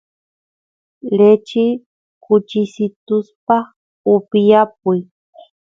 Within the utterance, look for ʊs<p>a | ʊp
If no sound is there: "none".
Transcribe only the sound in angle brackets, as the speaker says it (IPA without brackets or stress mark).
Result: p